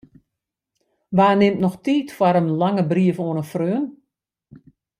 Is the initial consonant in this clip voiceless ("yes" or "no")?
no